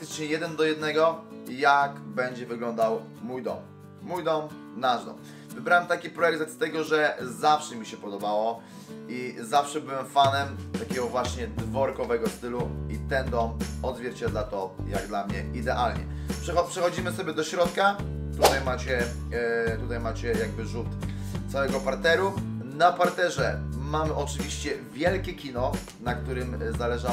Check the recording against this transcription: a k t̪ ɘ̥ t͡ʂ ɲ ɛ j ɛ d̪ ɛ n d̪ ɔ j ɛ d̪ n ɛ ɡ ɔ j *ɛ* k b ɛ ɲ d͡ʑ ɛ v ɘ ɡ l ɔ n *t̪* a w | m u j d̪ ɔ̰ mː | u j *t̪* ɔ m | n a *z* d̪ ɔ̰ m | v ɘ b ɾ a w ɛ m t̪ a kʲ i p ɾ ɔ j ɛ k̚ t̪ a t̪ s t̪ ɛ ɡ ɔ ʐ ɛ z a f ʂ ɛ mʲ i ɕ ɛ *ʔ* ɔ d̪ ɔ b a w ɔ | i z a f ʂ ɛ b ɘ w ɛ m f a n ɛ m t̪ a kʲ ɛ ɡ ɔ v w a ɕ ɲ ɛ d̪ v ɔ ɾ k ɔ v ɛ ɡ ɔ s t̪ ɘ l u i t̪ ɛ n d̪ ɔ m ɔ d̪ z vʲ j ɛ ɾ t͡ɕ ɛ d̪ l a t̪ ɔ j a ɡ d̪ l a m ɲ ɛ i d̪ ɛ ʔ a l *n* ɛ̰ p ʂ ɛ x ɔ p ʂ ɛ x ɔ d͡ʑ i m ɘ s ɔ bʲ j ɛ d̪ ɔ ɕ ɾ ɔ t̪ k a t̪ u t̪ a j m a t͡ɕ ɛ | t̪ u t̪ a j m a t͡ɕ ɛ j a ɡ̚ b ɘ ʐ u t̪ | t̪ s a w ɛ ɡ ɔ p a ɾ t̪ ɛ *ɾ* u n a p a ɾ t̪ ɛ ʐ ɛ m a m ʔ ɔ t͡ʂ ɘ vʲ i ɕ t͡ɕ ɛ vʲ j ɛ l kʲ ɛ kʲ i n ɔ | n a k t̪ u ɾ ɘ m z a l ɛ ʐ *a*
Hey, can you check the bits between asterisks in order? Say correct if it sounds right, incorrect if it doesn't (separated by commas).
incorrect, incorrect, incorrect, incorrect, incorrect, incorrect, correct, correct